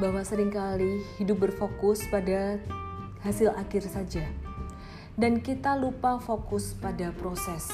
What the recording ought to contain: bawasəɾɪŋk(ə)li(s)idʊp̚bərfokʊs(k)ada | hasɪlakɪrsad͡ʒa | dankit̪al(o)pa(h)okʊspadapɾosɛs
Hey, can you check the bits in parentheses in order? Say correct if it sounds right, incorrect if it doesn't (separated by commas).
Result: incorrect, incorrect, incorrect, incorrect, incorrect